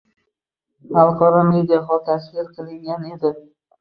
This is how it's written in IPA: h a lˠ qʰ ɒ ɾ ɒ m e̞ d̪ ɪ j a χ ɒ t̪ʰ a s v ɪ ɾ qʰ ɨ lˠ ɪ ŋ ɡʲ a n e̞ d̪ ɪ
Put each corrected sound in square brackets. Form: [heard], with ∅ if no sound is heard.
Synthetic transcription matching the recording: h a lˠ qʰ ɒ ɾ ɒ m e̞ d̪ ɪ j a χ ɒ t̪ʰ a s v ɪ ɾ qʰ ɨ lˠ ɪ ŋ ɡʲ a n e̞ d̪ ɪ

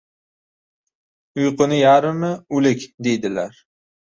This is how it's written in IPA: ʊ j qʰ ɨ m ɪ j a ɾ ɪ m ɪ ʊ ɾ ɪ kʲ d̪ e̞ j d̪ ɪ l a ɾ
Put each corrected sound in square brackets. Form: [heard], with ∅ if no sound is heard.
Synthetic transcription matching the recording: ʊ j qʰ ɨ [n] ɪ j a ɾ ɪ m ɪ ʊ [l] ɪ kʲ d̪ e̞ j d̪ ɪ l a ɾ

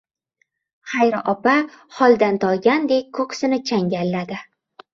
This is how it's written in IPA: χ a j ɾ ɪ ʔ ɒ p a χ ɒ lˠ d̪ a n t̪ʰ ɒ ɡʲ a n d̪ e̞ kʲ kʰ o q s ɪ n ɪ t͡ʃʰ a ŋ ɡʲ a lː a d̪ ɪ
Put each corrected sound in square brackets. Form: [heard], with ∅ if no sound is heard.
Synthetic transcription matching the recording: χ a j ɾ ɪ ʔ ɒ p a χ ɒ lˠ d̪ a n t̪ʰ ɒ ɡʲ a n d̪ e̞ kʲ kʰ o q s ɪ n ɪ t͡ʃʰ a ŋ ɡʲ a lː a d̪ ɪ

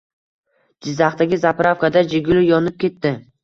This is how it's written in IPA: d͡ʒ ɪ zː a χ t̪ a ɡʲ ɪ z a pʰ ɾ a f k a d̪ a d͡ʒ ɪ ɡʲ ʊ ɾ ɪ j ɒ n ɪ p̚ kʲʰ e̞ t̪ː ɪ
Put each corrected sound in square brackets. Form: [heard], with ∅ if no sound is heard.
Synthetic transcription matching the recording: d͡ʒ ɪ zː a χ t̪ a ɡʲ ɪ z a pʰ ɾ a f k a d̪ a d͡ʒ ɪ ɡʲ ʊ [l] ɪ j ɒ n ɪ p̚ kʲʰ e̞ t̪ː ɪ

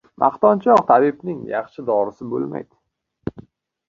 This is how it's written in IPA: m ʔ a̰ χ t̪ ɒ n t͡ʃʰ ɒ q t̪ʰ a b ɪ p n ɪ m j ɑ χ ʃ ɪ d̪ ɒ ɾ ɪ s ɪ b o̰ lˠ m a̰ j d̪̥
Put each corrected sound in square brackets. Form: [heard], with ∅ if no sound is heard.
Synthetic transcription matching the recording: m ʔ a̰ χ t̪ ɒ n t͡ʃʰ ɒ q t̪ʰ a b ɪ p n ɪ [ŋ] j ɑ χ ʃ ɪ d̪ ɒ ɾ ɪ s ɪ b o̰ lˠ m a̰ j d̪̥

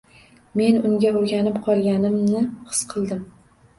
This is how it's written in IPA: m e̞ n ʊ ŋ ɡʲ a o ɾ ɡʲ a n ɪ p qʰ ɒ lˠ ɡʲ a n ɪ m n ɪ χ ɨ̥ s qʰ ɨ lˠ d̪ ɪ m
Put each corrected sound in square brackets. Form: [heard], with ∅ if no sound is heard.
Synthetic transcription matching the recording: m e̞ n ʊ ŋ ɡʲ a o ɾ ɡʲ a n ɪ p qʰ ɒ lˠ ɡʲ a n ɪ m n ɪ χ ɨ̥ s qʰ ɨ lˠ d̪ ɪ m

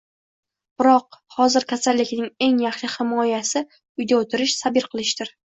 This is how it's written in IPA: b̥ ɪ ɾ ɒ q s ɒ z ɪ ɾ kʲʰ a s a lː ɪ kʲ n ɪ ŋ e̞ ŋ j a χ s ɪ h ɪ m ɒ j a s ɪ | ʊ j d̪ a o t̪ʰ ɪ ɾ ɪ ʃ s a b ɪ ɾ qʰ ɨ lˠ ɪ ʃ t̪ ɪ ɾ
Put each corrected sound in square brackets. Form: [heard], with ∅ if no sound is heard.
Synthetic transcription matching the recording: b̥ ɪ ɾ ɒ q [h] ɒ z ɪ ɾ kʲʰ a s a lː ɪ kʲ n ɪ ŋ e̞ ŋ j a χ [ʃ] ɪ h ɪ m ɒ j a s ɪ | ʊ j d̪ a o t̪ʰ ɪ ɾ ɪ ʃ s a b ɪ ɾ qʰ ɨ lˠ ɪ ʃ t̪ ɪ ɾ

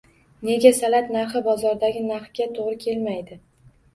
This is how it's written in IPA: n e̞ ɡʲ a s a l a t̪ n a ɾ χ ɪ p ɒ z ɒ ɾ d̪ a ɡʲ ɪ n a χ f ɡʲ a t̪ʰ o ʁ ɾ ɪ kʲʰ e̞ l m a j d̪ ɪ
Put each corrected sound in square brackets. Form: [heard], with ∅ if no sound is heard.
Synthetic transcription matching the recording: n e̞ ɡʲ a s a l a t̪ n a ɾ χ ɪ [b] ɒ z ɒ ɾ d̪ a ɡʲ ɪ n a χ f ɡʲ a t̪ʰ o ʁ ɾ ɪ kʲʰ e̞ l m a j d̪ ɪ

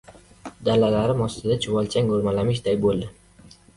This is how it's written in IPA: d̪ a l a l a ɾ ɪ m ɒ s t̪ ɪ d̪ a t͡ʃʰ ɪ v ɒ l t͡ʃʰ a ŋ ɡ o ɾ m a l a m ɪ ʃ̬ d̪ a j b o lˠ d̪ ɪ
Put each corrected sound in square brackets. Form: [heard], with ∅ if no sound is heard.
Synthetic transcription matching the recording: d̪ a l a l a ɾ ɪ m ɒ s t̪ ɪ d̪ a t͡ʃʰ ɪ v ɒ l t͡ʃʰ a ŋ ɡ o ɾ m a l a m ɪ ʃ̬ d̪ a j b o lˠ d̪ ɪ

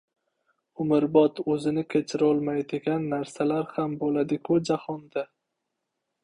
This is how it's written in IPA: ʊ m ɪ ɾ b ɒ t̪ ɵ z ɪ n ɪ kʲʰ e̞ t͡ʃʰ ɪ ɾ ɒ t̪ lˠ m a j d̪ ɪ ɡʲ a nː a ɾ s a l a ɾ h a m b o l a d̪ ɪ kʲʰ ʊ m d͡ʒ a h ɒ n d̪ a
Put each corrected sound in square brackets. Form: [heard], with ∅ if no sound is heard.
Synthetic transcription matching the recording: ʊ m ɪ ɾ b ɒ t̪ ɵ z ɪ n ɪ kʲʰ e̞ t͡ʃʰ ɪ ɾ ɒ [∅] lˠ m a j d̪ ɪ ɡʲ a nː a ɾ s a l a ɾ h a m b o l a d̪ ɪ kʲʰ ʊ [∅] d͡ʒ a h ɒ n d̪ a

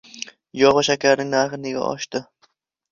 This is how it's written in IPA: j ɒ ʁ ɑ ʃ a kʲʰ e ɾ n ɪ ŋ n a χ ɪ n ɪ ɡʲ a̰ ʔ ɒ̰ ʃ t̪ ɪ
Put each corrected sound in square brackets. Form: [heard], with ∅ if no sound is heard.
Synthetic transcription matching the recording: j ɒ ʁ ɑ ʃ a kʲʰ [a] ɾ n ɪ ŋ n a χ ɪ n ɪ ɡʲ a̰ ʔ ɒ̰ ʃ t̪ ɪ

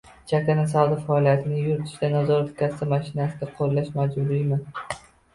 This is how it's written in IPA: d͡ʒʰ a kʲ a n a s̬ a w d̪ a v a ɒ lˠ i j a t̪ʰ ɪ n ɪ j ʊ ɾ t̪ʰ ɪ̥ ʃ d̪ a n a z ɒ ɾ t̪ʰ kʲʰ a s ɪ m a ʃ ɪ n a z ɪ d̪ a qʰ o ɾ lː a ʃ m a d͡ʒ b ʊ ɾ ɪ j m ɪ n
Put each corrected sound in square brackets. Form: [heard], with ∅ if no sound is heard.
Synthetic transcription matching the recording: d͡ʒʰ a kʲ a n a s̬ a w d̪ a [f] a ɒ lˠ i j a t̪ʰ ɪ n ɪ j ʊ ɾ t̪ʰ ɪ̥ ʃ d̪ a n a z ɒ ɾ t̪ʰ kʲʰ a s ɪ m a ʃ ɪ n a [s] ɪ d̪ a qʰ o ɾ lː a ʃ m a d͡ʒ b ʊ ɾ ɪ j m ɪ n

